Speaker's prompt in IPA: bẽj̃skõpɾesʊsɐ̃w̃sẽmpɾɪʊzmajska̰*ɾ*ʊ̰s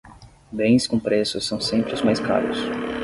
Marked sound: correct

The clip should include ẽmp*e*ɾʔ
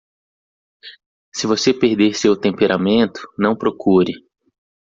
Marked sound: correct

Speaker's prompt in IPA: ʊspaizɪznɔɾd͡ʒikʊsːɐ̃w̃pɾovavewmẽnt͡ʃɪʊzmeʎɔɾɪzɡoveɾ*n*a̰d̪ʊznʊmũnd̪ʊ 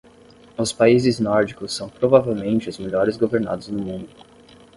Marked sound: correct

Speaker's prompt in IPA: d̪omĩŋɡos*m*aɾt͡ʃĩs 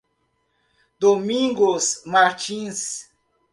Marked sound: correct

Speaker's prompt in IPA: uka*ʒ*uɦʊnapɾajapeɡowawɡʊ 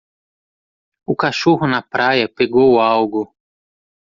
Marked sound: incorrect: ʃ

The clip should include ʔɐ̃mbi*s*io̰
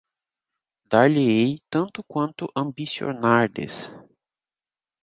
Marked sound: correct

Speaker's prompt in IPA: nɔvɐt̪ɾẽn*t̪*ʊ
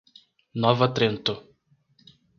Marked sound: correct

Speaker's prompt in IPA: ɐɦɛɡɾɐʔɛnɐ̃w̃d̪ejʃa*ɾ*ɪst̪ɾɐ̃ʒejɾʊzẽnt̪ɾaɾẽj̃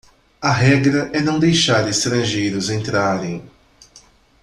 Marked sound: correct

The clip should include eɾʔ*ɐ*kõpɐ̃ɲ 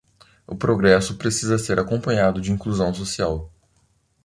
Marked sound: incorrect: a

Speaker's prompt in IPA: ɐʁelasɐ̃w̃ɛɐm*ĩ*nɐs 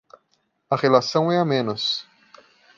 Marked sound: incorrect: ẽ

